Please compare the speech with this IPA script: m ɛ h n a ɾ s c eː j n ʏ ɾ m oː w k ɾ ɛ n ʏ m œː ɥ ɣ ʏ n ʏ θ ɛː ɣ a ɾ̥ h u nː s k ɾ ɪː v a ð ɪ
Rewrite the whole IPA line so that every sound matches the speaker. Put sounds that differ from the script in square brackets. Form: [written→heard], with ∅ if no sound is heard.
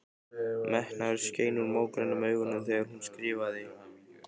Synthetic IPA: m ɛ h n a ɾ s c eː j n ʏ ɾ m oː w k ɾ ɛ n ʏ m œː ɥ ɣ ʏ n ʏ θ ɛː ɣ a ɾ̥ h u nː s k ɾ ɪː v a ð ɪ